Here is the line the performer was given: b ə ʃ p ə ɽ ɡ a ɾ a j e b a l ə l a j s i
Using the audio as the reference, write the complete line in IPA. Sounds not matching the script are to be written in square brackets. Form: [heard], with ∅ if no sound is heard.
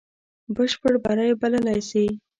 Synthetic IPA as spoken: b ə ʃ p ə ɽ [b] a ɾ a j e b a l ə l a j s i